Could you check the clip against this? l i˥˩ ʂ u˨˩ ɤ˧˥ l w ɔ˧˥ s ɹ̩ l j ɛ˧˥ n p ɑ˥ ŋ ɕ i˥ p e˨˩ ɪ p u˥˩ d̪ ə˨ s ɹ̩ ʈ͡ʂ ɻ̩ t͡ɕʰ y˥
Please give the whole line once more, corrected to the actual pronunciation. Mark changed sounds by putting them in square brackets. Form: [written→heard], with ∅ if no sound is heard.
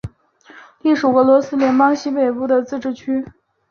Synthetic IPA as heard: l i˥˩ ʂ u˨˩ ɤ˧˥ l w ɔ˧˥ s ɹ̩ l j ɛ˧˥ n p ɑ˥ ŋ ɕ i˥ p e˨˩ ɪ p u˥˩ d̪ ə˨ [s→t͡s] ɹ̩ ʈ͡ʂ ɻ̩ t͡ɕʰ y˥